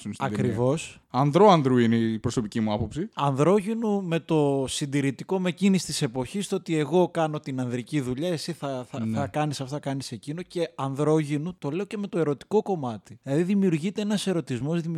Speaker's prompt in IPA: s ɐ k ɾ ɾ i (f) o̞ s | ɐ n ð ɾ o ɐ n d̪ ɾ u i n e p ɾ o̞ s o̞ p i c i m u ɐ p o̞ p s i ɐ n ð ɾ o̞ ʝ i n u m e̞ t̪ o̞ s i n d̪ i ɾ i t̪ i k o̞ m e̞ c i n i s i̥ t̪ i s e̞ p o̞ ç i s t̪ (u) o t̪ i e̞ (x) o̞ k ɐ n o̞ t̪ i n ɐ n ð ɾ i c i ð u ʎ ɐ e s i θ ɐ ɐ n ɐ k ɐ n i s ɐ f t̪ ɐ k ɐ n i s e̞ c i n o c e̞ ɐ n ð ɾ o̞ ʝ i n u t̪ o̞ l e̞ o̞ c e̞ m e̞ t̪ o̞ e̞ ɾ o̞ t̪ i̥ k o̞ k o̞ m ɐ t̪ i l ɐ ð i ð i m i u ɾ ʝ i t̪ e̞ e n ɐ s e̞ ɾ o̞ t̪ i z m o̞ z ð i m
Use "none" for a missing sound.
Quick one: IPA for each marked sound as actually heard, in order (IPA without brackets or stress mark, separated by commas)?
v, o, ɣ